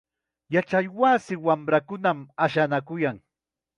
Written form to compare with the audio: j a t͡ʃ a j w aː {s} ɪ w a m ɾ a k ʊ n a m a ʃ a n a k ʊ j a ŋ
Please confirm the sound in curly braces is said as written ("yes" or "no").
yes